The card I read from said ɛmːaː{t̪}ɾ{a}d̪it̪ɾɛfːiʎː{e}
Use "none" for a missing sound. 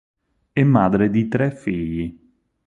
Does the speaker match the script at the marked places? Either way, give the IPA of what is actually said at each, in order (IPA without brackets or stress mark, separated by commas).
d̪, e, i